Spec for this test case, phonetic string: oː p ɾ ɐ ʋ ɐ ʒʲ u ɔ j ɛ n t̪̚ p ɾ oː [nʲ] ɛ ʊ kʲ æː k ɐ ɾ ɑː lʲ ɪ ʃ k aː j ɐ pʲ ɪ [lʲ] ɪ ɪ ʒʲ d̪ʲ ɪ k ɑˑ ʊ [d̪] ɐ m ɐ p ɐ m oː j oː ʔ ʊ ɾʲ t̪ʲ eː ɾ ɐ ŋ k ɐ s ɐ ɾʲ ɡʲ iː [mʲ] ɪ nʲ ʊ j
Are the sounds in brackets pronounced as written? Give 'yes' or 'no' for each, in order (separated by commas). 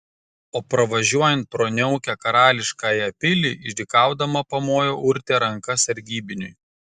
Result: yes, yes, yes, no